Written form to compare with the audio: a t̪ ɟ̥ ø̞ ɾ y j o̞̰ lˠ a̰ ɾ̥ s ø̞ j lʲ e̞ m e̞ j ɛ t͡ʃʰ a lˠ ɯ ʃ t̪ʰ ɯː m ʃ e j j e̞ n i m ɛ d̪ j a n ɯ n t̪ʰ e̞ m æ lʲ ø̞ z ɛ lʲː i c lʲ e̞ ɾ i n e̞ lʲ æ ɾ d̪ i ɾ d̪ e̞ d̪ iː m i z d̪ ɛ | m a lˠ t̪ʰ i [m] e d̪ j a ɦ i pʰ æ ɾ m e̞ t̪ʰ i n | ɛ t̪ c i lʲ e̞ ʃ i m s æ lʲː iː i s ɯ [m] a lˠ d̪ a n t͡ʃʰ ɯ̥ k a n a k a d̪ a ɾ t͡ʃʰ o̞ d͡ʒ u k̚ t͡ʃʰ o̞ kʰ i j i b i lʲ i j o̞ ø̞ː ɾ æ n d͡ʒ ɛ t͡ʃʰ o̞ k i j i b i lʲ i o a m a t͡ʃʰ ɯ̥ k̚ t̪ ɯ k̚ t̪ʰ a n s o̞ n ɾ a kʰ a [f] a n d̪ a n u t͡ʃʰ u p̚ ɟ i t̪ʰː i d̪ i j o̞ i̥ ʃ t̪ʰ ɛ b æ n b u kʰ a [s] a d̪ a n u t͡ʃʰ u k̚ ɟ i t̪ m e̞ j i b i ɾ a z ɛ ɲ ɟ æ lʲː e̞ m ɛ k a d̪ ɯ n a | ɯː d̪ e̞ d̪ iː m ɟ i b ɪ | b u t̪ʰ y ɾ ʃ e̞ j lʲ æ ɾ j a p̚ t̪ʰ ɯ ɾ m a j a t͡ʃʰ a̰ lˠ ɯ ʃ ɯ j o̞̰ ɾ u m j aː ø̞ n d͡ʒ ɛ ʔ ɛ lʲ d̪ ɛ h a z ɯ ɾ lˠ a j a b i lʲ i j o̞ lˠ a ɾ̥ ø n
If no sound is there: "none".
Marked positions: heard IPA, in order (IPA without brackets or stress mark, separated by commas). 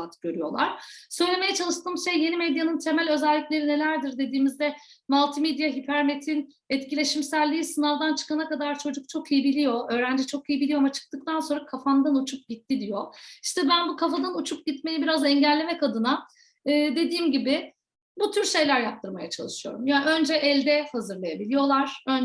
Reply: m, n, f, f